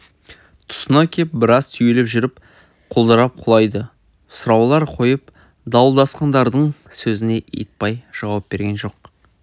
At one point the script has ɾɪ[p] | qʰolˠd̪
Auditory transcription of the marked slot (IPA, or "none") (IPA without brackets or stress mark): p